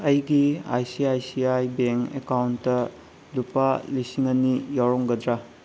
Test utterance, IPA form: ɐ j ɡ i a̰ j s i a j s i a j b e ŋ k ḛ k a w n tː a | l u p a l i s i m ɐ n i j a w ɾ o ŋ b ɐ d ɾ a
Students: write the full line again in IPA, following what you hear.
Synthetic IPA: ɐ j ɡ i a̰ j s i a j s i a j b e ŋ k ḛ k a w n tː ɐ | l u p a l i s i ŋ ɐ n i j a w ɾ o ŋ ɡ ɐ d ɾ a

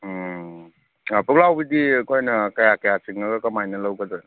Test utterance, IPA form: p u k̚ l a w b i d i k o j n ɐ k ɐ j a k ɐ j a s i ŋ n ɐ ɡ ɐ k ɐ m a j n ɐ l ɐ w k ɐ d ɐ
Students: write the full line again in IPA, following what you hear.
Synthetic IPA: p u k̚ l a w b i d i k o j n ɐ k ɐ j a k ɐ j a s i ŋ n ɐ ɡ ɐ k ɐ m a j n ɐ l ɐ w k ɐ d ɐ

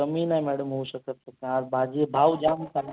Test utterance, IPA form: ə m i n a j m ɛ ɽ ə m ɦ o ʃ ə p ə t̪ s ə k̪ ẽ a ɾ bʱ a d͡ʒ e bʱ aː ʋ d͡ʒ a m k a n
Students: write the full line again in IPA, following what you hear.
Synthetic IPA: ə m i n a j m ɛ ɽ ə m ɦ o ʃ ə k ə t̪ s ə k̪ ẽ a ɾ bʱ a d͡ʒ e bʱ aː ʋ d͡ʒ a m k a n

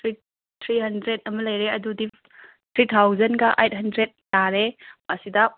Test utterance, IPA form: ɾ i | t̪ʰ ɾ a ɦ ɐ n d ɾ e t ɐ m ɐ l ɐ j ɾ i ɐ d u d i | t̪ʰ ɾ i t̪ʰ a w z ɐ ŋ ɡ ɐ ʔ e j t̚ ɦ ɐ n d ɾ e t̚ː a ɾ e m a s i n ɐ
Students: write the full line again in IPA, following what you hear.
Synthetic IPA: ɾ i | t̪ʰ ɾ i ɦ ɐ n d ɾ e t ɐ m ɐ l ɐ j ɾ e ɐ d u d i | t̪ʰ ɾ i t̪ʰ a w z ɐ n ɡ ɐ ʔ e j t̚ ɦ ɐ n d ɾ e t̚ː a ɾ e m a s i d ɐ

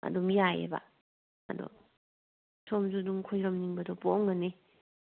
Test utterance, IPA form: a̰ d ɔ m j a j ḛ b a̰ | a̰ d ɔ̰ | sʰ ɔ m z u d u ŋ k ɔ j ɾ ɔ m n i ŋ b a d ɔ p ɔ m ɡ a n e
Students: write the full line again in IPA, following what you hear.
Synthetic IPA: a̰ d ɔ m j a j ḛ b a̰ | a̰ d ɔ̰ | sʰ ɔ m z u d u ŋ kʰ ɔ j ɾ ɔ m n i ŋ b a d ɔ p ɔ ŋ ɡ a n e

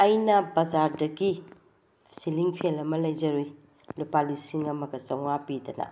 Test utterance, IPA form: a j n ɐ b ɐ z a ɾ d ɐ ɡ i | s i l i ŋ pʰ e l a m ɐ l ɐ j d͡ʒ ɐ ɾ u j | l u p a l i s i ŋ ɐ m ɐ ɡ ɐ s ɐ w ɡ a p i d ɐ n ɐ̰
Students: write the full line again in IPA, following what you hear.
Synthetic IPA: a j n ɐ b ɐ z a ɾ d ɐ ɡ i | s i l i ŋ pʰ e l ɐ m ɐ l ɐ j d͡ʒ ɐ ɾ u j | l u p a l i s i ŋ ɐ m ɐ ɡ ɐ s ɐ w ŋ a p i d ɐ n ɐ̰

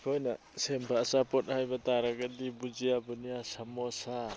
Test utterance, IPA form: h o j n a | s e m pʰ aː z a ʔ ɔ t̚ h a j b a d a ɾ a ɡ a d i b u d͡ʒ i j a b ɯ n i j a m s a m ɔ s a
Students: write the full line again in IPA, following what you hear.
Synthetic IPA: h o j n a | s e m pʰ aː s a p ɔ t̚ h a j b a t a ɾ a ɡ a d i b u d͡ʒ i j a b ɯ n i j a s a m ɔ s a

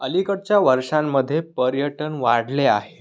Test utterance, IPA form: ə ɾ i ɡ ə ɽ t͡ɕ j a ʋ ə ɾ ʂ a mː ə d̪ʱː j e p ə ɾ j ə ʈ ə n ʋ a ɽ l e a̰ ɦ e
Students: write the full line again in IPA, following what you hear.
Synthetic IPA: ə l i k ə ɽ t͡ɕ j a ʋ ə ɾ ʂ a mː ə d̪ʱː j e p ə ɾ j ə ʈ ə n ʋ a ɽ l e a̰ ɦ e

